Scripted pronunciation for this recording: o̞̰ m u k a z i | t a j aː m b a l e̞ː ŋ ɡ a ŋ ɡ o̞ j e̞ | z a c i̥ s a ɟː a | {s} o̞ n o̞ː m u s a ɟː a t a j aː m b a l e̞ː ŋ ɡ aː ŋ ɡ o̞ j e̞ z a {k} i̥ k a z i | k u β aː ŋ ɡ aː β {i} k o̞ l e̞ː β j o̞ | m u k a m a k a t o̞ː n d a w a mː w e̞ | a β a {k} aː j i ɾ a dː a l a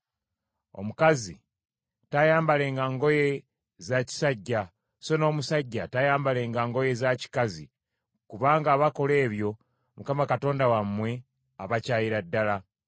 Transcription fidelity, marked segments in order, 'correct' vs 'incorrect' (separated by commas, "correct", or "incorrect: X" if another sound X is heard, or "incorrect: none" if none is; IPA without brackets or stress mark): correct, incorrect: c, incorrect: a, incorrect: c